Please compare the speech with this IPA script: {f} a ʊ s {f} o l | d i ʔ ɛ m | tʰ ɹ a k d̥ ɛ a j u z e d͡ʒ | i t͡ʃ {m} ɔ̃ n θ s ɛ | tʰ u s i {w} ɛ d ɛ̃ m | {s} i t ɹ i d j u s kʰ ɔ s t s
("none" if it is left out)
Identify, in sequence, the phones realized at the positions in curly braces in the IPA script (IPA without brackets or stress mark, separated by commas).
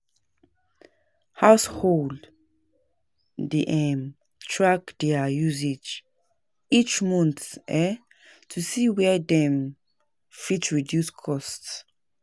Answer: h, h, m, w, f